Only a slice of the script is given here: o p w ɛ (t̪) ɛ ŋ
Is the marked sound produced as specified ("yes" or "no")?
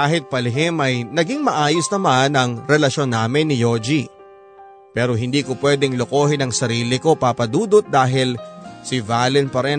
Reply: no